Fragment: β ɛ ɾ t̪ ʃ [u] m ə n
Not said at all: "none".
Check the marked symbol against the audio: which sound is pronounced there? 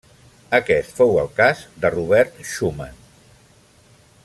u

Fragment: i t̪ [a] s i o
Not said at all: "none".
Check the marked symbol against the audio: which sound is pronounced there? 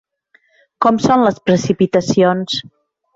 ə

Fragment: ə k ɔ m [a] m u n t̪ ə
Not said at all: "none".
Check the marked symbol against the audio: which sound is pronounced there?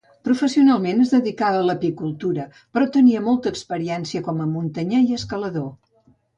ə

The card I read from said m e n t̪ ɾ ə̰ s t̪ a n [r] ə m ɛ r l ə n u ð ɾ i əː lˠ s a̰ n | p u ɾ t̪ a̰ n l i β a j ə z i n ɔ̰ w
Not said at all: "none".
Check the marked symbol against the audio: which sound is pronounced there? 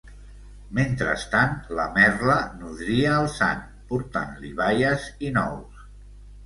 l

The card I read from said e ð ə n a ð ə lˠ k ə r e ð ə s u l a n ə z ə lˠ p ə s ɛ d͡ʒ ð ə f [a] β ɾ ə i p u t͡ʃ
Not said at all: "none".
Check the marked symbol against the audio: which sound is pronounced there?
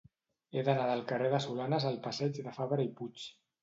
a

